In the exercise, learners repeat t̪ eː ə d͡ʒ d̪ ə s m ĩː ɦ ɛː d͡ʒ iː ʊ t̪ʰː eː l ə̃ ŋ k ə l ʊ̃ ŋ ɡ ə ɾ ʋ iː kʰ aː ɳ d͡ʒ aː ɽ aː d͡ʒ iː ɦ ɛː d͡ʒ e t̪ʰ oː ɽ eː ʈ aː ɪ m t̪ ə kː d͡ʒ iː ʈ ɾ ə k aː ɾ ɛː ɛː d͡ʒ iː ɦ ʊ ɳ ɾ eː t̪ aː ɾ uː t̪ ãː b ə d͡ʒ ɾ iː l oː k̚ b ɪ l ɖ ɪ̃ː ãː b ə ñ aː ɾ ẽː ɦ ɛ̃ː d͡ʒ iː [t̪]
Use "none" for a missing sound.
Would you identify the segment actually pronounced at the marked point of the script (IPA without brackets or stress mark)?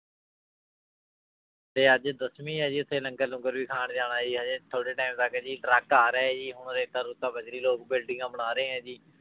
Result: none